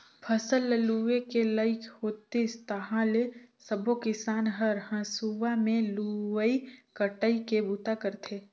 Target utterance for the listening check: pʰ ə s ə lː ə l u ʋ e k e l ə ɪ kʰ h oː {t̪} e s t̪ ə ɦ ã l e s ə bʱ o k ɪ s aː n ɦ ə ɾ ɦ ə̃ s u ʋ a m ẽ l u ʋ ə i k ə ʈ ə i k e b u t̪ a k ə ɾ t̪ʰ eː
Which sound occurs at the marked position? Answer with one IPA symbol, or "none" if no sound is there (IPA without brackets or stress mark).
t̪